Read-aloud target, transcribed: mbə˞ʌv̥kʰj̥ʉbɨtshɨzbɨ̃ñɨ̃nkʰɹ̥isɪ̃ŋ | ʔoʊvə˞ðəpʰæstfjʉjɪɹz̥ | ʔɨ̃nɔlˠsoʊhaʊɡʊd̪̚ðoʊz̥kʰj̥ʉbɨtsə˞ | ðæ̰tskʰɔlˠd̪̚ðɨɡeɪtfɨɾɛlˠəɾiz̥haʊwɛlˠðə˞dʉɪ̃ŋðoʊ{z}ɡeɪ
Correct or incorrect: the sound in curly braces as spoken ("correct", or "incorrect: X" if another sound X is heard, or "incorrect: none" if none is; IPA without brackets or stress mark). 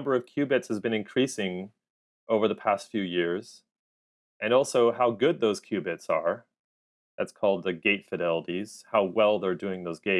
correct